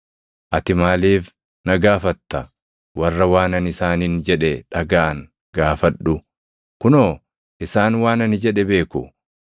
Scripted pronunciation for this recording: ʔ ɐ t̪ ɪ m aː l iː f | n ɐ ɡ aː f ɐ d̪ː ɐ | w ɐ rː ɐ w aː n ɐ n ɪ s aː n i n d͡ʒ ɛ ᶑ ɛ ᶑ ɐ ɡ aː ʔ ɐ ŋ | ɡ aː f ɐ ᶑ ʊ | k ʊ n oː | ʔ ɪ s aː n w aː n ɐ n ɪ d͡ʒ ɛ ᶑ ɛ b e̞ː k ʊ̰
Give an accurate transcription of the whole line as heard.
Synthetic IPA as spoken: ʔ ɐ t̪ ɪ m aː l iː f | n ɐ ɡ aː f ɐ t̪ː ɐ | w ɐ rː ɐ w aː n ɐ n ɪ s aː n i n d͡ʒ ɛ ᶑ ɛ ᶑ ɐ ɡ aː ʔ ɐ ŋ | ɡ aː f ɐ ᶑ ʊ | k ʊ n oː | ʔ ɪ s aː n w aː n ɐ n ɪ d͡ʒ ɛ ᶑ ɛ b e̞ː k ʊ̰